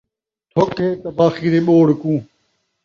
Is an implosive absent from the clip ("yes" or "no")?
no